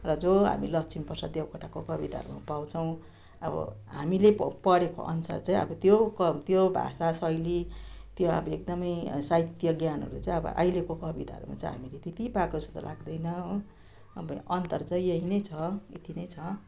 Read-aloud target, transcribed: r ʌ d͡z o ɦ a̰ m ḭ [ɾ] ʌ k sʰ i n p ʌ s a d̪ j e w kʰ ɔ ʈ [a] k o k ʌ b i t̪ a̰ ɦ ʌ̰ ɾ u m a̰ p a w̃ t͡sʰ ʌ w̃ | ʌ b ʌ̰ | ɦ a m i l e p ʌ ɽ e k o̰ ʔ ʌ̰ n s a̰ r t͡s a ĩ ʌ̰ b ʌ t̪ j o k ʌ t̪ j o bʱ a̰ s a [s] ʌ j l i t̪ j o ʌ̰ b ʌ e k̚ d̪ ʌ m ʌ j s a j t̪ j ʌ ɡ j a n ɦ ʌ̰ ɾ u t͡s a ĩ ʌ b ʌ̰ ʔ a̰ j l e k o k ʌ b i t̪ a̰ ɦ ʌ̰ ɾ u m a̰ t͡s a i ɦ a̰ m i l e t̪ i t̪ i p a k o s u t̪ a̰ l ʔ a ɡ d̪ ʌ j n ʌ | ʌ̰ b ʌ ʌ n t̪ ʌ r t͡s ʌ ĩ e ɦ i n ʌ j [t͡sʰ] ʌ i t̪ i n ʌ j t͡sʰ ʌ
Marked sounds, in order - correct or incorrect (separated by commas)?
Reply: incorrect, correct, correct, correct